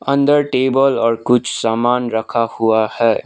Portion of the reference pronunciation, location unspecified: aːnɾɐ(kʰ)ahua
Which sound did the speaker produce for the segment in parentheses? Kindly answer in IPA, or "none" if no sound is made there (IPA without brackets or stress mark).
kʰ